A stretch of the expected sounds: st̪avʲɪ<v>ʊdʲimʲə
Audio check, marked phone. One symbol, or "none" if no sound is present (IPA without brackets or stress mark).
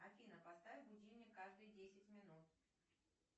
b